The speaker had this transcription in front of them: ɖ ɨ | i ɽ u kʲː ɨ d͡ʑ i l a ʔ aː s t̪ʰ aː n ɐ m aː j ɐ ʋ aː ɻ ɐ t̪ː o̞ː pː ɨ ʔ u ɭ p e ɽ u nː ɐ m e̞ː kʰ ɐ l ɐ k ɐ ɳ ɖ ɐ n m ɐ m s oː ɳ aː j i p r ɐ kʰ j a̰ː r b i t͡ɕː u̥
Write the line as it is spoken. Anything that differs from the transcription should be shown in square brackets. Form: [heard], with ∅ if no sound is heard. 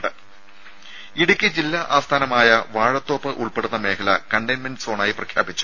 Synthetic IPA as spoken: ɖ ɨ | i ɽ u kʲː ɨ d͡ʑ i [lː] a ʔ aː s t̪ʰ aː n ɐ m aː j ɐ ʋ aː ɻ ɐ t̪ː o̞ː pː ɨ ʔ u ɭ p e ɽ u nː ɐ m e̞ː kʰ ɐ l ɐ k ɐ ɳ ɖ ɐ n m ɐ [n] s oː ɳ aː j i p r ɐ kʰ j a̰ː [∅] b i t͡ɕː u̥